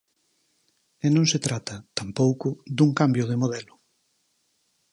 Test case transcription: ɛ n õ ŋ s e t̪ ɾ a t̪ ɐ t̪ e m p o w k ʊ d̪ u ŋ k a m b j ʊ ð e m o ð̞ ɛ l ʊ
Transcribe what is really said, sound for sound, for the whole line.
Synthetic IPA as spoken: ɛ n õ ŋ s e t̪ ɾ a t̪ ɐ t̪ a m p o w k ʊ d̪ u ŋ k a m b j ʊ ð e m o ð̞ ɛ l ʊ

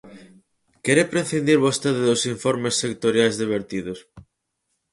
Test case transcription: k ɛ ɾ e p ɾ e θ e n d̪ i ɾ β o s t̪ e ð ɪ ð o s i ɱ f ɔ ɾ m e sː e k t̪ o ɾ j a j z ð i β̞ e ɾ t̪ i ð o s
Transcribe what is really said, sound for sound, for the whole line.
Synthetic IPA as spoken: k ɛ ɾ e p ɾ e θ i n d̪ i ɾ β o s t̪ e ð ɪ ð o s i ɱ f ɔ ɾ m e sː e k t̪ o ɾ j a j z ð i β̞ e ɾ t̪ i ð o s

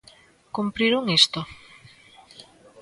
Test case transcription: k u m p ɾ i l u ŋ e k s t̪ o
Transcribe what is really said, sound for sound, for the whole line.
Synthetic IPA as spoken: k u m p ɾ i ɾ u ŋ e s t̪ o

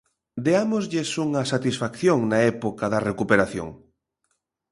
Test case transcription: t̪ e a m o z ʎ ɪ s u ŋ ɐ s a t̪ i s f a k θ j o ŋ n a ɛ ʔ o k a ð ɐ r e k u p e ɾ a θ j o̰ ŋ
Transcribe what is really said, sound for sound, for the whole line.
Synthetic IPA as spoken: d̪ e a m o z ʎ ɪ s u ŋ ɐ s a t̪ i s f a k θ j o ŋ n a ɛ p o k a ð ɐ r e k u p e ɾ a θ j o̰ ŋ

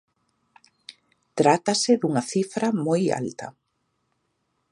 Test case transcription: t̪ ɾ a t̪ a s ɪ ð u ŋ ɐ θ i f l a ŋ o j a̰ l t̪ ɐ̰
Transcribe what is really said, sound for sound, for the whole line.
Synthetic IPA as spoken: t̪ ɾ a t̪ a s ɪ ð u ŋ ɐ θ i f ɾ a m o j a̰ l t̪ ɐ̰

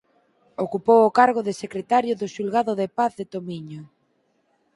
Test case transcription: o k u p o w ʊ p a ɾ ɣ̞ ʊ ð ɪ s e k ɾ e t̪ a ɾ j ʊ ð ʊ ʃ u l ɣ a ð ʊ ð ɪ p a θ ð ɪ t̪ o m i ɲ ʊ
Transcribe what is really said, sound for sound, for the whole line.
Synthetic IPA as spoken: o k u p o w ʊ k a ɾ ɣ̞ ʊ ð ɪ s e k ɾ e t̪ a ɾ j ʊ ð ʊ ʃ u l ɣ a ð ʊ ð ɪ p a θ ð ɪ t̪ o m i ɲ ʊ

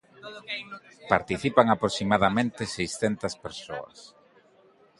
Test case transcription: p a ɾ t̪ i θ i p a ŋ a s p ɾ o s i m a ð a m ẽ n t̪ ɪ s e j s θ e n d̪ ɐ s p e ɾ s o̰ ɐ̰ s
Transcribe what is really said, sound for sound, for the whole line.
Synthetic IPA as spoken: p a ɾ t̪ i θ i p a ŋ a p ɾ o s i m a ð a m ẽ n t̪ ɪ s e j s θ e n t̪ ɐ s p e ɾ s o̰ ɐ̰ s

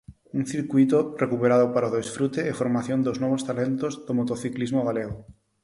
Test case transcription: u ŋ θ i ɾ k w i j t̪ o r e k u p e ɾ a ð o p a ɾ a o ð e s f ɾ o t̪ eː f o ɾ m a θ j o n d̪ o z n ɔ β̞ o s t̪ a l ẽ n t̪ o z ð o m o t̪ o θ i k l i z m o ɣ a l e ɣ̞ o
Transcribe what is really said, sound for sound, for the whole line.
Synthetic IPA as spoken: u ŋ θ i ɾ k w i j t̪ o r e k u p e ɾ a ð o p a ɾ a o ð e s f ɾ u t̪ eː f o ɾ m a θ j o n d̪ o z n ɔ β̞ o s t̪ a l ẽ n t̪ o z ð o m o t̪ o θ i k l i z m o ɣ a l e ɣ̞ o

